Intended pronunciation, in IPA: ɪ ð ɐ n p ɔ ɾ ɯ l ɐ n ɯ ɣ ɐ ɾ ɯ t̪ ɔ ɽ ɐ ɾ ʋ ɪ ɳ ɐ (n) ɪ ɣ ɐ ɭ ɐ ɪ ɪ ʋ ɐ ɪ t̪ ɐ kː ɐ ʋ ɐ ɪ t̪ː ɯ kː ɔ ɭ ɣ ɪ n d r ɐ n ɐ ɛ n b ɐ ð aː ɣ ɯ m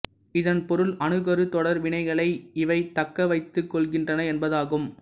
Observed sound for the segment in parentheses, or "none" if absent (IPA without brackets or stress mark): none